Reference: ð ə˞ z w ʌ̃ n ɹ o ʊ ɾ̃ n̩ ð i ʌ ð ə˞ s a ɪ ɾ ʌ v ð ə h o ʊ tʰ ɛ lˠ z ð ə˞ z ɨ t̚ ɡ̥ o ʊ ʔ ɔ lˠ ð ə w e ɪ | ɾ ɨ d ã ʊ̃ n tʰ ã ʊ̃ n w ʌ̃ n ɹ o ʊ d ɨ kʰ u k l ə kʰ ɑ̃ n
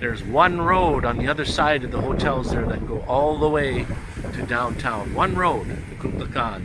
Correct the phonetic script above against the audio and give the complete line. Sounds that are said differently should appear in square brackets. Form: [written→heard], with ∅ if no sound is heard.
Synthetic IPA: ð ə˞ z w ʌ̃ n ɹ o ʊ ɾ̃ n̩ ð i ʌ ð ə˞ s a ɪ ɾ ʌ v ð ə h o ʊ tʰ ɛ lˠ z ð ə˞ [z→ð] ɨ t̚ ɡ̥ o ʊ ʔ ɔ lˠ ð ə w e ɪ | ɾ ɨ d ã ʊ̃ n tʰ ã ʊ̃ n w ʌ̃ n ɹ o ʊ d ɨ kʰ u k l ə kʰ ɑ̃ n